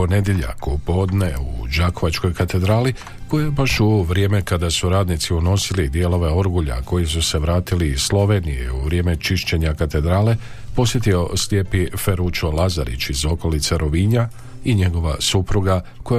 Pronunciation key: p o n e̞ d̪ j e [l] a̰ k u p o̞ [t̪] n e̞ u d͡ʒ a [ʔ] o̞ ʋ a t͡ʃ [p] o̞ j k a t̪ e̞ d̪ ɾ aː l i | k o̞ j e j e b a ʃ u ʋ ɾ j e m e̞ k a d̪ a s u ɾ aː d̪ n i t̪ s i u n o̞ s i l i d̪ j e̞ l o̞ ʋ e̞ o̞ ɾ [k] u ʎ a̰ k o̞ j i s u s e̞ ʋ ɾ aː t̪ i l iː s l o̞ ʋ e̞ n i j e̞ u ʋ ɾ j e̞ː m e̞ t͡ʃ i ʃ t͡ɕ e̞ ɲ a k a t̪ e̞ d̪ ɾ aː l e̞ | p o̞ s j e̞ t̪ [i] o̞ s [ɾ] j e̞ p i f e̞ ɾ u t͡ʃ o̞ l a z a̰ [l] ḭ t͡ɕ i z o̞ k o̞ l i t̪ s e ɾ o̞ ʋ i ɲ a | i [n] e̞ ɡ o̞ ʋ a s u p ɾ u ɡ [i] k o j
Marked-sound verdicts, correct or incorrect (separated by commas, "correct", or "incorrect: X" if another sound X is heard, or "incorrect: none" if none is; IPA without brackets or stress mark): incorrect: ʎ, incorrect: d̪, incorrect: k, incorrect: k, incorrect: ɡ, correct, incorrect: l, incorrect: ɾ, incorrect: ɲ, incorrect: a